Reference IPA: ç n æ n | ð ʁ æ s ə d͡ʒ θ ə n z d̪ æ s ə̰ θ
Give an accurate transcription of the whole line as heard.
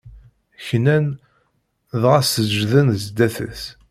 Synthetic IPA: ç n æ n | ð ʁ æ s ə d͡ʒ ð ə n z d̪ æ θ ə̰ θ